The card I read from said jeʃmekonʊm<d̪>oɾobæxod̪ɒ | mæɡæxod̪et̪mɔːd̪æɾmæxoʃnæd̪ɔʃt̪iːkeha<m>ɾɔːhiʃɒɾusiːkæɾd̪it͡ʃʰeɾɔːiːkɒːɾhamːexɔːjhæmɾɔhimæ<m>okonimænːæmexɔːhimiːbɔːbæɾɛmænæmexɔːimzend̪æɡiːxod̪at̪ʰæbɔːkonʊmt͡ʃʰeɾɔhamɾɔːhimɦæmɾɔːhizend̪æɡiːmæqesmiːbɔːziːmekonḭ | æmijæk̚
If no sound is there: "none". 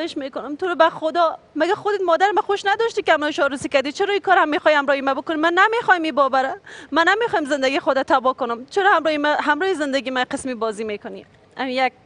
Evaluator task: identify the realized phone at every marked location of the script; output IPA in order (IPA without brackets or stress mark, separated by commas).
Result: t̪, m, b